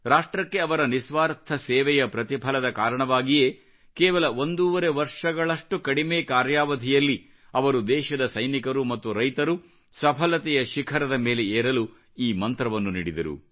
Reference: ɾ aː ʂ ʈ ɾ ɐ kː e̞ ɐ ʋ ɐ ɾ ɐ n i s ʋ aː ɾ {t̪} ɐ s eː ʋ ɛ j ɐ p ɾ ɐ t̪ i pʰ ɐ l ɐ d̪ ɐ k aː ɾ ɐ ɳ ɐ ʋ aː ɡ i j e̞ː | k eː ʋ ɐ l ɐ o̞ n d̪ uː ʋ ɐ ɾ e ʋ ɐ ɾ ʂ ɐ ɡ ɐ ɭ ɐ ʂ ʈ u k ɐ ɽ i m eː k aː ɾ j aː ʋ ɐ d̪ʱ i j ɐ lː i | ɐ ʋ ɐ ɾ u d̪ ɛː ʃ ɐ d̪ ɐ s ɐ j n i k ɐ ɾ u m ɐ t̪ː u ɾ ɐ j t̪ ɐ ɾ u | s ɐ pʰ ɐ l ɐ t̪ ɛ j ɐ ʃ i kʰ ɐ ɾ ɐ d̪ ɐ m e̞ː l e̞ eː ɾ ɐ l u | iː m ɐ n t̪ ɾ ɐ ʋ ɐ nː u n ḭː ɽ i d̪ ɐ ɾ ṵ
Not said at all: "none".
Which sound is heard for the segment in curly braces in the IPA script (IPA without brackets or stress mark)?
t̪ʰ